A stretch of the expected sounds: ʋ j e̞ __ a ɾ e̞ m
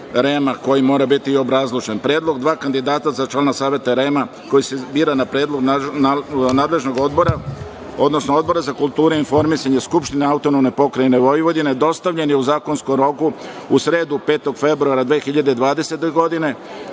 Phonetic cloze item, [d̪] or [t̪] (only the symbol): t̪